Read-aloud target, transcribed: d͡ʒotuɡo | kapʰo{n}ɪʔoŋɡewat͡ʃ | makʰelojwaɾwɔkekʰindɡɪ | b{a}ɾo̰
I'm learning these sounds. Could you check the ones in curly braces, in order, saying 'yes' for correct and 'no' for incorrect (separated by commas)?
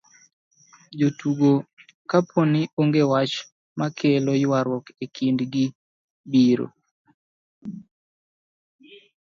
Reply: yes, no